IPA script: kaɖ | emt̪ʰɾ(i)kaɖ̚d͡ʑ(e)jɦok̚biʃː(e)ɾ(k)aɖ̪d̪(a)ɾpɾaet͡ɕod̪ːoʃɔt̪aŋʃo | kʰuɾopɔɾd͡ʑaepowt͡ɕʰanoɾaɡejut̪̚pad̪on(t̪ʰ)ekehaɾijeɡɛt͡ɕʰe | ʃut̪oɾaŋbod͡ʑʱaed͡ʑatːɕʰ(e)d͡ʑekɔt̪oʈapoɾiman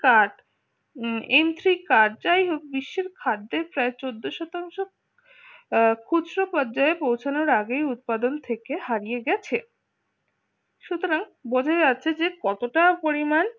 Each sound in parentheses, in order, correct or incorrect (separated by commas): correct, incorrect, correct, incorrect, incorrect, correct, correct